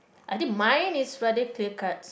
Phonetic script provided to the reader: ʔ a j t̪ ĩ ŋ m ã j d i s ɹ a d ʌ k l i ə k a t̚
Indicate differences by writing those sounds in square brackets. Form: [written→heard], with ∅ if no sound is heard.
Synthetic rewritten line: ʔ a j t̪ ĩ ŋ m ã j [d→n] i s ɹ a d [ʌ→ə] k l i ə k a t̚